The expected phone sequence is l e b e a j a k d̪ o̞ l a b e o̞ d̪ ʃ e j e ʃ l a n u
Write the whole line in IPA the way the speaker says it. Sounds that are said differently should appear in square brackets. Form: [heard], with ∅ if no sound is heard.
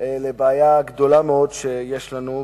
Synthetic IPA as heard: l e b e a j a [ɡ] d̪ o̞ l a [m] e o̞ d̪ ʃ e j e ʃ l a n u